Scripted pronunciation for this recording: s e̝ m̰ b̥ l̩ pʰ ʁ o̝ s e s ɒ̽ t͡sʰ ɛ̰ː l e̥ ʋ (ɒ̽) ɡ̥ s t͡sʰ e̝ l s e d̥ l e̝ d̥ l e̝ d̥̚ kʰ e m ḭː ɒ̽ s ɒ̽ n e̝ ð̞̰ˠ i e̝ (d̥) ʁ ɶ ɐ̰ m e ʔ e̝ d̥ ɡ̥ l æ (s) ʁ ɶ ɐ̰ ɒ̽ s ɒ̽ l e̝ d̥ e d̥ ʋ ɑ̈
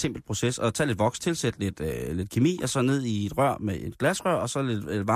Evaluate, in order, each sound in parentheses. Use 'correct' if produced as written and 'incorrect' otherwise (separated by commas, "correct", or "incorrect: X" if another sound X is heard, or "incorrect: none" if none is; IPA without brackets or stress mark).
correct, correct, correct